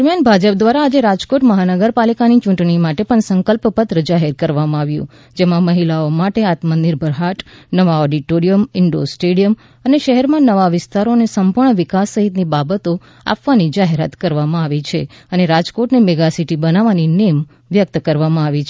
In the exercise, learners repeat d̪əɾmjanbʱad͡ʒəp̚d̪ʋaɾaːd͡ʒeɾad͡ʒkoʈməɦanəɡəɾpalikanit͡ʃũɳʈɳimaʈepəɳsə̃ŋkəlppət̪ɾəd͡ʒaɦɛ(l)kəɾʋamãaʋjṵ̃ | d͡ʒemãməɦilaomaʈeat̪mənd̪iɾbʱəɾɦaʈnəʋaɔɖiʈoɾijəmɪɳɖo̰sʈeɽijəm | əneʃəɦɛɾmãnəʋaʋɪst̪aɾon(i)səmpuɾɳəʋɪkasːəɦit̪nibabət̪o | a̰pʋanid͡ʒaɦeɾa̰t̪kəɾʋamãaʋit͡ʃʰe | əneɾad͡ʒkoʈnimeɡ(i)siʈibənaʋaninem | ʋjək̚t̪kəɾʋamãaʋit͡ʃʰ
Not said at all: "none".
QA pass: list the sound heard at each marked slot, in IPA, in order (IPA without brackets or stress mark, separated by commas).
ɾ, e, a